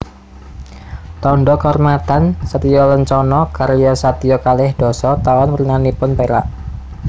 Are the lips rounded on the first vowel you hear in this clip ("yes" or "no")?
yes